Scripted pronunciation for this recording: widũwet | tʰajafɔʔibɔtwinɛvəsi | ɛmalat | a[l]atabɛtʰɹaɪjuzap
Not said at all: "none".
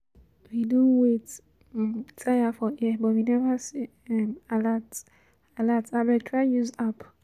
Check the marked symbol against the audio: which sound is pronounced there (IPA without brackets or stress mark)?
l